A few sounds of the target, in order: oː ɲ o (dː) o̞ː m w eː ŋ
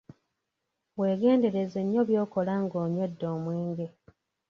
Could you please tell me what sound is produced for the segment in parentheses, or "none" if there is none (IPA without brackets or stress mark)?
dː